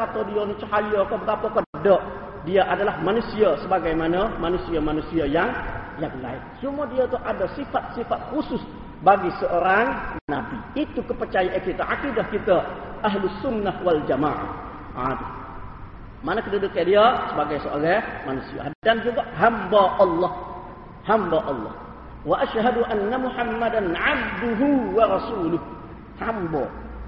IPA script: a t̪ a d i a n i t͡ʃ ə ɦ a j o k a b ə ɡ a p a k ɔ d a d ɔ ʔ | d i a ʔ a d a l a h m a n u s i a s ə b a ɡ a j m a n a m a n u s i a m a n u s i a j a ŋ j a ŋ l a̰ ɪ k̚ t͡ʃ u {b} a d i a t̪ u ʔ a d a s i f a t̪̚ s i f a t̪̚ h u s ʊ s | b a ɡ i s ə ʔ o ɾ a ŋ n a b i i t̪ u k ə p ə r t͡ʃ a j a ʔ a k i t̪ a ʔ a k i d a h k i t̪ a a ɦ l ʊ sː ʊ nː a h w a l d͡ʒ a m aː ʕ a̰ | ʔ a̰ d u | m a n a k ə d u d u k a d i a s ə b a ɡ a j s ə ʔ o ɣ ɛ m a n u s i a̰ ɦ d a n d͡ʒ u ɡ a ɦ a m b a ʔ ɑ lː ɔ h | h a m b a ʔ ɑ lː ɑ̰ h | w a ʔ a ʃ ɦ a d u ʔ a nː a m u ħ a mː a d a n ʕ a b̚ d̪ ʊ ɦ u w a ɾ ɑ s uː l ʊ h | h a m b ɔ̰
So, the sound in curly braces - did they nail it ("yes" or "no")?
no